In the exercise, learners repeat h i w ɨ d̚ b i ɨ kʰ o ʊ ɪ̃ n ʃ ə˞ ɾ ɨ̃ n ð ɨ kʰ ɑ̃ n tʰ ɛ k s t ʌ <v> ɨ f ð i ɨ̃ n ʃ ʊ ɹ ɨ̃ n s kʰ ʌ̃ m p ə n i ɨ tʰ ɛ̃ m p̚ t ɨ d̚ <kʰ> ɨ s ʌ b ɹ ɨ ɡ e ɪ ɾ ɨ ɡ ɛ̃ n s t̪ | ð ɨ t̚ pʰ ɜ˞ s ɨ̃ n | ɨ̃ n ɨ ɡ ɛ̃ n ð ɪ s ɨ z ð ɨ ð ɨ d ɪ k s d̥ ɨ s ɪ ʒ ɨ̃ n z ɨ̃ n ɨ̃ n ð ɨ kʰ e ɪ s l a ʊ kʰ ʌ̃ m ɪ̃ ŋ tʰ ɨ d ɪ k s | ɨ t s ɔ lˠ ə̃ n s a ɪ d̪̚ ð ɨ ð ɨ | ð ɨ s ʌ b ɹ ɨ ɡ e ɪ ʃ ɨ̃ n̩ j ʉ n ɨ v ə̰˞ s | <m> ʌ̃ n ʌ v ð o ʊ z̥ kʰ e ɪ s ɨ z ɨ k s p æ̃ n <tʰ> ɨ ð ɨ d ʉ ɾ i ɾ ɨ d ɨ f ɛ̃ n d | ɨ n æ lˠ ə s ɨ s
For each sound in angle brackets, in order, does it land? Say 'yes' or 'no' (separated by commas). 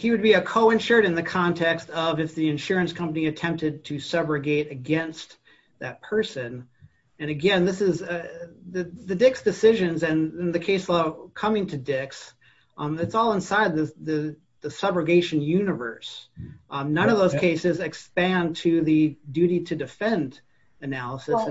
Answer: yes, no, no, yes